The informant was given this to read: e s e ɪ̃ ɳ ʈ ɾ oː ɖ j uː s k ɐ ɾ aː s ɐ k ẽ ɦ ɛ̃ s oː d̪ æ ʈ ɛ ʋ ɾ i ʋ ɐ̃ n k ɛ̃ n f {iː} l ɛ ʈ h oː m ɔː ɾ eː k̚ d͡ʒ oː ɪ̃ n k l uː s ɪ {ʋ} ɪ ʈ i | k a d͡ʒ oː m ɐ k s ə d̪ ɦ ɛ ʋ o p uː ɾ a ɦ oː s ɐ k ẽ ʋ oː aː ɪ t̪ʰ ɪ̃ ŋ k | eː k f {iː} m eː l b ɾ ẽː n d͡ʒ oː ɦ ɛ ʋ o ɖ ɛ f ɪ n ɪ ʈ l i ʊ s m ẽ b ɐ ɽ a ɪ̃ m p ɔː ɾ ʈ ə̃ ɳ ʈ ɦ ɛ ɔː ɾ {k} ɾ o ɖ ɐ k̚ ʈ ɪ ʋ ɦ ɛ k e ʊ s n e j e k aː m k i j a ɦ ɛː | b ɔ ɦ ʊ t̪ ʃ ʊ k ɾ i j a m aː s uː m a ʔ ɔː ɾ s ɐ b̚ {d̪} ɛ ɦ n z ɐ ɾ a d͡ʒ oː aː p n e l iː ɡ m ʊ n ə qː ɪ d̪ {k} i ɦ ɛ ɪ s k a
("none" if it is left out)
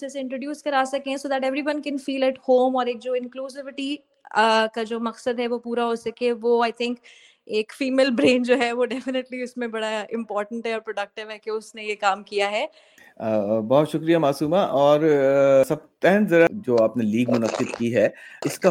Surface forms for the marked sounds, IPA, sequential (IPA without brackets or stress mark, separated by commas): iː, ʋ, iː, p, t̪, k